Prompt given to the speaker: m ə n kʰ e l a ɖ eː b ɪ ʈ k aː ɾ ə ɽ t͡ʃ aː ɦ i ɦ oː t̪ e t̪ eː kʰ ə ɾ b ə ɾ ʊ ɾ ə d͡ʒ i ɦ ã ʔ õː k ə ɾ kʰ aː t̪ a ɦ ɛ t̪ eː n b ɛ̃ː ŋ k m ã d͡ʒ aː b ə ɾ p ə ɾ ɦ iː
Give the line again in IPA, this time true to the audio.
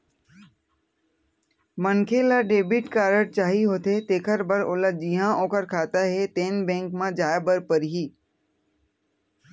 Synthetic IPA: m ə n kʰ e l a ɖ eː b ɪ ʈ k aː ɾ ə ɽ t͡ʃ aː ɦ i ɦ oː t̪ e t̪ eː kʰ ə ɾ b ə ɾ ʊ l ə d͡ʒ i ɦ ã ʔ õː k ə ɾ kʰ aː t̪ a ɦ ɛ t̪ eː n b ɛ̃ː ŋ k m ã d͡ʒ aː b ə ɾ p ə ɾ ɦ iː

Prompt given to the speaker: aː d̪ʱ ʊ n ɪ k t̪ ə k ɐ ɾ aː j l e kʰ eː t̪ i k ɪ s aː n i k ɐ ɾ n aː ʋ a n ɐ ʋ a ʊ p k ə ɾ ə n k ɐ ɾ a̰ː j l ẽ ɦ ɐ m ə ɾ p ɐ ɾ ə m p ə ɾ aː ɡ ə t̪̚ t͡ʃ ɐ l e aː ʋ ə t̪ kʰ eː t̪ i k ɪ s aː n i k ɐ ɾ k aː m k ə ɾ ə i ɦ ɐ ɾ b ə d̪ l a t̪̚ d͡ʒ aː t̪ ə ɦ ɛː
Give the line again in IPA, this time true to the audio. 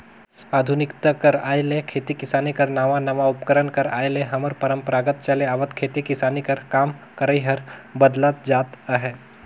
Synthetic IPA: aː d̪ʱ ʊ n ɪ k t̪ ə k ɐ ɾ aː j l e kʰ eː t̪ i k ɪ s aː n i k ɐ ɾ n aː ʋ a n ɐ ʋ a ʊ p k ə ɾ ə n k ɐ ɾ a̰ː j l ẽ ɦ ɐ m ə ɾ p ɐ ɾ ə m p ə ɾ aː ɡ ə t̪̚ t͡ʃ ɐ l e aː ʋ ə t̪ kʰ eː t̪ i k ɪ s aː n i k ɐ ɾ k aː m k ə ɾ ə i ɦ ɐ ɾ b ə d̪ l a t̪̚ d͡ʒ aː t̪ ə ɦ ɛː

